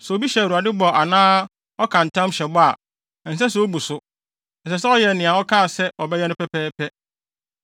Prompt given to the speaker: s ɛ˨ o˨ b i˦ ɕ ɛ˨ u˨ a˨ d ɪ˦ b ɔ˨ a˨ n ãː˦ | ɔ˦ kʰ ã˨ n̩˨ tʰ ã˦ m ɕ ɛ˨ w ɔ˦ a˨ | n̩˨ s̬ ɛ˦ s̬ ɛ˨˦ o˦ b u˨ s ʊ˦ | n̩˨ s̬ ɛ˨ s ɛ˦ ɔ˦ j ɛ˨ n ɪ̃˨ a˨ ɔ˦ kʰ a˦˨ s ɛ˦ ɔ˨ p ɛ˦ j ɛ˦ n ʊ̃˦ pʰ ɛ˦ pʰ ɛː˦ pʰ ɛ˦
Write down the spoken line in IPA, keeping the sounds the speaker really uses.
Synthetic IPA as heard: s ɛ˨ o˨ b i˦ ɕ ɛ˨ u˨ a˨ d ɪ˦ b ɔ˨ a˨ n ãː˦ | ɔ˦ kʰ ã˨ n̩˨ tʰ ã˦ m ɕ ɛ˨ b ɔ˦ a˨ | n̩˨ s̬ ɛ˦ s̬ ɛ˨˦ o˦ b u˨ s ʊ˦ | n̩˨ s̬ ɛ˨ s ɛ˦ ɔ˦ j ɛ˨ n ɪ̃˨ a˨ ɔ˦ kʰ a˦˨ s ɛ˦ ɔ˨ b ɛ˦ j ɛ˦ n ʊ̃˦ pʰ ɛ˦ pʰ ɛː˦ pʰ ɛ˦